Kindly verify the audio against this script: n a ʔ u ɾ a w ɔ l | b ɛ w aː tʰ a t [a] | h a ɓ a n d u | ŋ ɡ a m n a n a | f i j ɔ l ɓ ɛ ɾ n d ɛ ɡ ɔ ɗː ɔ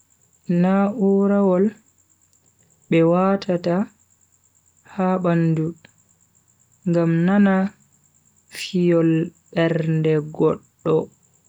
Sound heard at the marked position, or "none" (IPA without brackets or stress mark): a